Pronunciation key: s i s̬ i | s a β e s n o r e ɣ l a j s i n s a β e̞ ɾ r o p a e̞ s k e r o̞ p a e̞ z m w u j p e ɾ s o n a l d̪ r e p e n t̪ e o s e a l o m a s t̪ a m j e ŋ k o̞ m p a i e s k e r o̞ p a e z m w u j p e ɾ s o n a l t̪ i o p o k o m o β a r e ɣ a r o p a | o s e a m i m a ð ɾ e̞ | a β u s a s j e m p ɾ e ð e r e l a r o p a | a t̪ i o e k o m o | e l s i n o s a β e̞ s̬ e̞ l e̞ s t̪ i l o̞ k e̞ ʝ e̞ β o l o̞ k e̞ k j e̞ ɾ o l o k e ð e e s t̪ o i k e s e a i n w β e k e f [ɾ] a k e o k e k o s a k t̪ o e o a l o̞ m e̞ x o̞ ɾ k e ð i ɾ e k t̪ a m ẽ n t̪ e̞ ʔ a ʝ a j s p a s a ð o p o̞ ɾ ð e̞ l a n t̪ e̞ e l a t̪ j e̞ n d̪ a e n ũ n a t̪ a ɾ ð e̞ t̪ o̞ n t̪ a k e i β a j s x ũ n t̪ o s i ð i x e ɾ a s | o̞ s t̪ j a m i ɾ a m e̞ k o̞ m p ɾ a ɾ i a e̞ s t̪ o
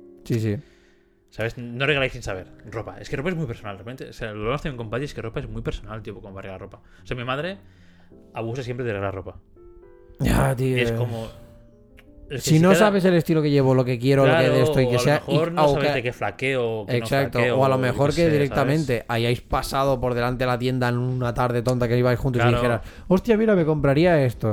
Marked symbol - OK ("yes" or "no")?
no